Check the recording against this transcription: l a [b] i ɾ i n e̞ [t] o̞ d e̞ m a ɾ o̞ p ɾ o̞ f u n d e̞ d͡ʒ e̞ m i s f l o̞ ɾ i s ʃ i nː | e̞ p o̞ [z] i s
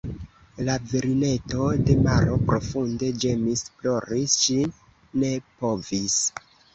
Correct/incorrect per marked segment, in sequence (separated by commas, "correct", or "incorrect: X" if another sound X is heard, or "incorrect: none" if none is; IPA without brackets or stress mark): incorrect: v, correct, incorrect: v